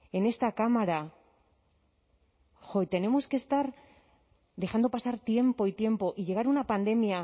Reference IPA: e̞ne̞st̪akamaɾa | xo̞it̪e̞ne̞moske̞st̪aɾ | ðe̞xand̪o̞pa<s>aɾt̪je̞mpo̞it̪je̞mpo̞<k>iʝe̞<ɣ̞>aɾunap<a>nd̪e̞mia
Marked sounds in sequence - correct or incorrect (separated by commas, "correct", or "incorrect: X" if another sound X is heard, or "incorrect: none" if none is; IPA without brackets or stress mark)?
correct, incorrect: ʔ, correct, correct